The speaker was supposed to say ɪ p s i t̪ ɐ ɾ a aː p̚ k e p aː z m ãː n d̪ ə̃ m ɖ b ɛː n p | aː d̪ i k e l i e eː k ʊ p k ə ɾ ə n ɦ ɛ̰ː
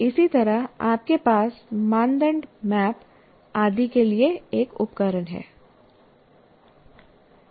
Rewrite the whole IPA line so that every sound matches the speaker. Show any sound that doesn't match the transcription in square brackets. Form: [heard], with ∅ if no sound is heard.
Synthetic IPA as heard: ɪ [∅] s i t̪ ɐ ɾ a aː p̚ k e p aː [s] m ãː n d̪ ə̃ [ɳ] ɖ [m] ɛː [∅] p | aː d̪ i k e l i e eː k ʊ p k ə ɾ ə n ɦ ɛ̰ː